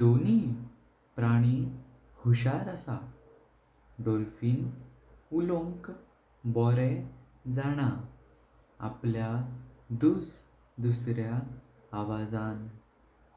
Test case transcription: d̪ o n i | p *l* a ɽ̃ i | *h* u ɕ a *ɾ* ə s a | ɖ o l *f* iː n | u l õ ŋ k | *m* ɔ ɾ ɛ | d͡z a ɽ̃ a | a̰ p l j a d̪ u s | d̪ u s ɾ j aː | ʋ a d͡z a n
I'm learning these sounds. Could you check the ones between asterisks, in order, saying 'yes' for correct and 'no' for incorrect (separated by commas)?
no, yes, yes, yes, no